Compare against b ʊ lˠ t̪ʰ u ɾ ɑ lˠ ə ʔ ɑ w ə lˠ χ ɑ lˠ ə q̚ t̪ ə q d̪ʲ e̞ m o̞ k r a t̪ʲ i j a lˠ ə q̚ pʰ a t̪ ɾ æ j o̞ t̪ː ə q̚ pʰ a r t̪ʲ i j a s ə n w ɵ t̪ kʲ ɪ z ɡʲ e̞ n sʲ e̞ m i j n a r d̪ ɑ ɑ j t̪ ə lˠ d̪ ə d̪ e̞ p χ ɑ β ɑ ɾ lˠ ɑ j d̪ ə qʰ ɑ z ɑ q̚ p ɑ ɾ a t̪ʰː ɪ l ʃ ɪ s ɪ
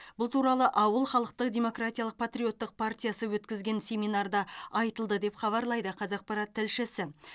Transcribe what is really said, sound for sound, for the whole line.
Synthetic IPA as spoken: b ʊ lˠ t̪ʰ u ɾ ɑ lˠ ə ʔ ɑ w ə lˠ χ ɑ lˠ ə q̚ t̪ ə q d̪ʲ e̞ m o̞ k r a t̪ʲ i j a lˠ ə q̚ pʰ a t̪ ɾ i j o̞ t̪ː ə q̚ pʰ a r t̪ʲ i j a s ə w ɵ t̪ kʲ ɪ z ɡʲ e̞ n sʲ e̞ m i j n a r d̪ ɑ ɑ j t̪ ə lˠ d̪ ə d̪ e̞ p χ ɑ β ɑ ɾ lˠ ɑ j d̪ ə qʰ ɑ z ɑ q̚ p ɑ ɾ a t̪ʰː ɪ l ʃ ɪ s ɪ